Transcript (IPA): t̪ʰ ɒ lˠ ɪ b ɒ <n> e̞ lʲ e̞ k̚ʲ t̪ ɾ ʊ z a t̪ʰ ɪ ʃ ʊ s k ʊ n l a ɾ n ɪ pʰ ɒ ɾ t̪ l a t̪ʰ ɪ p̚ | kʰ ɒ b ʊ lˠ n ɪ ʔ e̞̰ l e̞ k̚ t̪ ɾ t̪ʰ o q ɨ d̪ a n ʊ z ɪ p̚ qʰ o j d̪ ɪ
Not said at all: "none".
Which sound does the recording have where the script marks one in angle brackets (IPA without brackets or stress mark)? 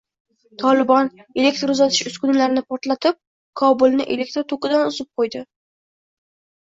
n